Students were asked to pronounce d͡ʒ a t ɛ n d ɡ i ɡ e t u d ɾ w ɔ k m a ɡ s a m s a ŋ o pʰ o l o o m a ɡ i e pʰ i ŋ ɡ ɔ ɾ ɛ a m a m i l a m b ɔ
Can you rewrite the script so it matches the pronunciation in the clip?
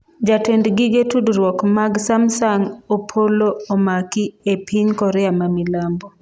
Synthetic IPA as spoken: d͡ʒ a t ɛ n d ɡ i ɡ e t u d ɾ w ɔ k m a ɡ s a m s a ŋ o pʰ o l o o m a k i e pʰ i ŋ k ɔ ɾ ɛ a m a m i l a m b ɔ